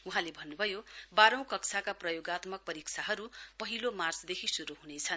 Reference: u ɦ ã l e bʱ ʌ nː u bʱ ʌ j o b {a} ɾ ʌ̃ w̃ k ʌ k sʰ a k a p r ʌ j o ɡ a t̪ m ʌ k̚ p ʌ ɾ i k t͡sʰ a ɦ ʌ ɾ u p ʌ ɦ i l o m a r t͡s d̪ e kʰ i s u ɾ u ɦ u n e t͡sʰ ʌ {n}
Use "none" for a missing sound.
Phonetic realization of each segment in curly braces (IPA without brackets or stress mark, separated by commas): a, n